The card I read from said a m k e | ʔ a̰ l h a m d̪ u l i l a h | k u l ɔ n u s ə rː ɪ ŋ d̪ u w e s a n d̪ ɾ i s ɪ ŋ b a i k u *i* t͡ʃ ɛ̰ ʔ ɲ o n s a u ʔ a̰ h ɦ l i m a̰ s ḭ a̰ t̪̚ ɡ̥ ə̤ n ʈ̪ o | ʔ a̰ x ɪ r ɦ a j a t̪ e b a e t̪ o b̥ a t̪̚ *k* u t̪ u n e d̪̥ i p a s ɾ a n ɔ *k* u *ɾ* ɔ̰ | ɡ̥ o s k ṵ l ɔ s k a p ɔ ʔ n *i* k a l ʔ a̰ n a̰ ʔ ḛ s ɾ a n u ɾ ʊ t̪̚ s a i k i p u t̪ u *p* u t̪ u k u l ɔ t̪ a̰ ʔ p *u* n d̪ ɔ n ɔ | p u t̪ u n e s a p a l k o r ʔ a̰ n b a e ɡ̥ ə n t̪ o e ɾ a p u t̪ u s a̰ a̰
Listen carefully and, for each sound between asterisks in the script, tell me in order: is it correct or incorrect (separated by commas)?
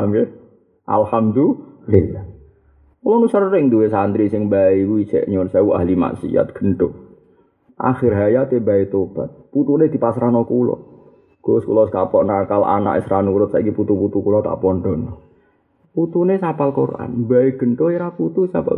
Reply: correct, incorrect, correct, incorrect, incorrect, correct, incorrect